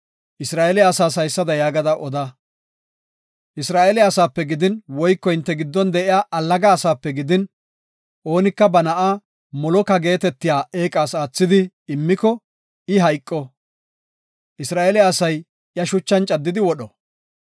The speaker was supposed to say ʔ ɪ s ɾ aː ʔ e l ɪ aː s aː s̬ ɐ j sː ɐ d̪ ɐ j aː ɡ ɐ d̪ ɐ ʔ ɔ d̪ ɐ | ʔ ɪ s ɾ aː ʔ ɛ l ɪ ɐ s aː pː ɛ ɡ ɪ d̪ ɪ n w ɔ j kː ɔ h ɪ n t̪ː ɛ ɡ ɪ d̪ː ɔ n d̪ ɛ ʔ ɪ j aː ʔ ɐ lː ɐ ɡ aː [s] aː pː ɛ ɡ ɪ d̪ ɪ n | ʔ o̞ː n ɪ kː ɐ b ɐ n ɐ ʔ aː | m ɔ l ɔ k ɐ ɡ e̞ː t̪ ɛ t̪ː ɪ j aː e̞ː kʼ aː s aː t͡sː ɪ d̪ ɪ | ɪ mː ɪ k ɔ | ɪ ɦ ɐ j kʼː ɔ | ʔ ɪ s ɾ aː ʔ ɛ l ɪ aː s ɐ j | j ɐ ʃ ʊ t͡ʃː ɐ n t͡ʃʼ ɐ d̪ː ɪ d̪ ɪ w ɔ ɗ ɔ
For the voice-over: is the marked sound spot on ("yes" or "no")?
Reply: yes